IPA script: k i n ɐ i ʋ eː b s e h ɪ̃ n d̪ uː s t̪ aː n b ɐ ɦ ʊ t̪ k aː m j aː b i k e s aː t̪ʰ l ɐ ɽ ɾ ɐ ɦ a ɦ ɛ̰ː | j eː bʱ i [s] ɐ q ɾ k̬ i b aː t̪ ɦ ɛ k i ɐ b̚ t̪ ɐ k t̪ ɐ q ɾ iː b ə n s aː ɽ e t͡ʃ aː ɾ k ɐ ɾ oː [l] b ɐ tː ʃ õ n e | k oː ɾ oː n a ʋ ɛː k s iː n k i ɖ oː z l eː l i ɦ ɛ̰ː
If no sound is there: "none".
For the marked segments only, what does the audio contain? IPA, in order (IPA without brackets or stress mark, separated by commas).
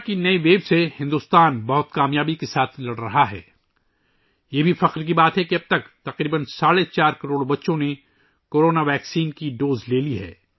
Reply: f, ɽ